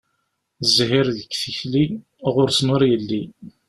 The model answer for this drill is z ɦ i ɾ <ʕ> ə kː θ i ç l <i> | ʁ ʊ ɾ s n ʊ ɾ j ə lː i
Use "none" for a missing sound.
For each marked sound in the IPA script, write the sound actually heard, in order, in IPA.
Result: ð, i

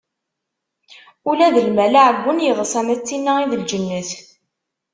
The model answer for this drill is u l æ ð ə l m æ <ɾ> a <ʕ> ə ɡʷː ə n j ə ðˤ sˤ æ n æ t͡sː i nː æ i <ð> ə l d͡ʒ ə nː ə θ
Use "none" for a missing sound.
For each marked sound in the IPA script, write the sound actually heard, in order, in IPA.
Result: l, ʕ, ð

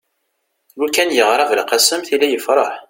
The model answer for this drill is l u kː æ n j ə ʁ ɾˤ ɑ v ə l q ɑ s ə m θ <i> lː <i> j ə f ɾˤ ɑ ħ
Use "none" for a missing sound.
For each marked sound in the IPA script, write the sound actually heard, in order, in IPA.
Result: i, æ

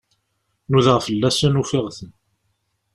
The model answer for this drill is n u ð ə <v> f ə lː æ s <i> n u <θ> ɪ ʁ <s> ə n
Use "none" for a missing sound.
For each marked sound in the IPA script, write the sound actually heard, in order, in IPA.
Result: ʁ, æ, f, θ

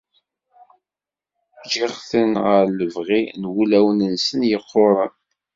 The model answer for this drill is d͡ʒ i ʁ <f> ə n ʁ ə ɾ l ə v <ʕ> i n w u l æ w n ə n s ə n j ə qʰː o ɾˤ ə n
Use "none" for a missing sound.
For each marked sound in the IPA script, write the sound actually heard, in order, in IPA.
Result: θ, ʁ

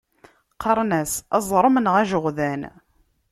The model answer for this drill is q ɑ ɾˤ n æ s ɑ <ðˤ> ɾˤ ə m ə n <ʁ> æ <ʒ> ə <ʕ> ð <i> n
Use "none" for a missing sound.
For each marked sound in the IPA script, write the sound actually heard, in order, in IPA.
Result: zˤ, ʁ, ʒ, ʁ, æ

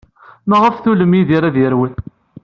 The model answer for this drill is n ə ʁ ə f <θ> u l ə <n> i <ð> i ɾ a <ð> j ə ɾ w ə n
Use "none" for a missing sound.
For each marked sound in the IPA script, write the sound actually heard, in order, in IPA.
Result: θ, m, ð, ð

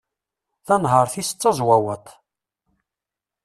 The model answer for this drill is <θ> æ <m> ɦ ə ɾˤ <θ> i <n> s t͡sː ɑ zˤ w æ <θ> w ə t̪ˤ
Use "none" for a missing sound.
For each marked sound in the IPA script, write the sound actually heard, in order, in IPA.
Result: θ, n, θ, none, none

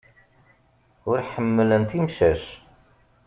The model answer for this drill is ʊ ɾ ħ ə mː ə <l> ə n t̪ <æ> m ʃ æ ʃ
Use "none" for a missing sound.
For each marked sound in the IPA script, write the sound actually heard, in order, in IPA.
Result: l, i

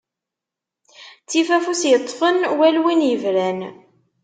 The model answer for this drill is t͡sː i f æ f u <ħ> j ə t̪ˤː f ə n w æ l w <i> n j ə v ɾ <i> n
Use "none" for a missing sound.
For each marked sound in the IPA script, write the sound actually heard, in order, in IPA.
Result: s, i, æ

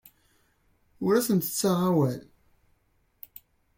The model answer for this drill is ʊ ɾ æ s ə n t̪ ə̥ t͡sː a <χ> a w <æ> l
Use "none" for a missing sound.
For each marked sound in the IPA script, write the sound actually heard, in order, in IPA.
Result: ʁ, æ

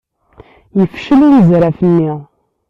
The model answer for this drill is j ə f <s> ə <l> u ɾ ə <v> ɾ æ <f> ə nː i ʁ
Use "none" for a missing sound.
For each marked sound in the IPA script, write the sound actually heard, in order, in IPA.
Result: ʃ, l, z, f

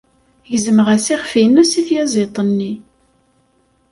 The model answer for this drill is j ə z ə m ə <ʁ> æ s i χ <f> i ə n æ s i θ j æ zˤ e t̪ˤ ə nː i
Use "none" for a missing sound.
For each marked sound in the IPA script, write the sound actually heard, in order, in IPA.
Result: ʁ, f

